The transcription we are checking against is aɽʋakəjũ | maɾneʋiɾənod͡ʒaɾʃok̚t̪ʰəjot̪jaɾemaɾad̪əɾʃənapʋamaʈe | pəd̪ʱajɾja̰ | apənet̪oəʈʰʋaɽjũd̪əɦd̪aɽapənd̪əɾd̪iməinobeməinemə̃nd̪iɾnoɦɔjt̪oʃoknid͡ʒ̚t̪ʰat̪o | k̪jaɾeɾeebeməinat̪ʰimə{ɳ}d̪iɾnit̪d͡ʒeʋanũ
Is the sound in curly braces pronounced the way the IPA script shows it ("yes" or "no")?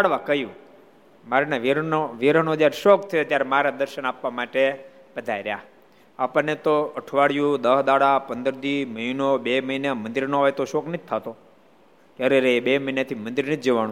no